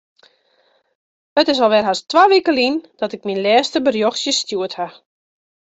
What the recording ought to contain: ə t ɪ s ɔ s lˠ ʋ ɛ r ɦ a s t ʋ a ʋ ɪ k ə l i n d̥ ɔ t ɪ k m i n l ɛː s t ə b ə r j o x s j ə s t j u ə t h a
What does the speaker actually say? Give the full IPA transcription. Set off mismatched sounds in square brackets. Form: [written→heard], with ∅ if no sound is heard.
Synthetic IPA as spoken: ə t ɪ s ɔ [s→∅] lˠ ʋ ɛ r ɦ a s t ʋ a ʋ [ɪ→i] k ə l i n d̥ ɔ t ɪ k m i n l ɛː s t ə b ə r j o x s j ə s t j u ə t h a